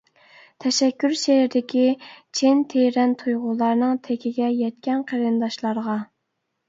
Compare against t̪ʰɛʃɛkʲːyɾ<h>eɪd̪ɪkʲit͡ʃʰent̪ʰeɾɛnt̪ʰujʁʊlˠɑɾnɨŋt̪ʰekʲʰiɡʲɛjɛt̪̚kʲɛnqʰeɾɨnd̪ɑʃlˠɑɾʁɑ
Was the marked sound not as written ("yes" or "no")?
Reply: yes